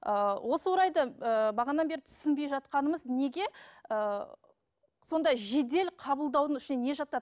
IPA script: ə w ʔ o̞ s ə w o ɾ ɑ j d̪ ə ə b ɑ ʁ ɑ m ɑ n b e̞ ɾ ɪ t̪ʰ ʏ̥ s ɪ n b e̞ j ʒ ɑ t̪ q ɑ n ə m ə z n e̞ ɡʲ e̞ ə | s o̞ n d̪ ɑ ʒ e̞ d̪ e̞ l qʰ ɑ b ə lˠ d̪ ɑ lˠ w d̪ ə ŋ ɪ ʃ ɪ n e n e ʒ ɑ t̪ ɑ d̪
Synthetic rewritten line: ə w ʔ o̞ s ə w o ɾ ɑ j d̪ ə ə b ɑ ʁ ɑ n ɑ n b e̞ ɾ ɪ t̪ʰ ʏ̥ s ɪ n b e̞ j ʒ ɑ t̪ q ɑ n ə m ə z n e̞ ɡʲ e̞ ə | s o̞ n d̪ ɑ ʒ e̞ d̪ e̞ l qʰ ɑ b ə lˠ d̪ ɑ w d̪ ə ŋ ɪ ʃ ɪ n e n e ʒ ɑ t̪ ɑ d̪